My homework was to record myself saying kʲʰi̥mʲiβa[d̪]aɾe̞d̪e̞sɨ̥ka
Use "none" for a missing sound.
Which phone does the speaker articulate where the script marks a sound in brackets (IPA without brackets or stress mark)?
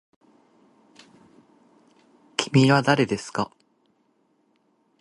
d̪